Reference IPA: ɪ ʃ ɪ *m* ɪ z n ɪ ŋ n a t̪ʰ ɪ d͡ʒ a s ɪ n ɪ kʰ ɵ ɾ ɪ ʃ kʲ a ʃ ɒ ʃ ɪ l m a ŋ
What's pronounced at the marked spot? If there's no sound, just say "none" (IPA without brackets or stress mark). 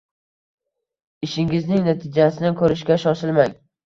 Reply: ŋ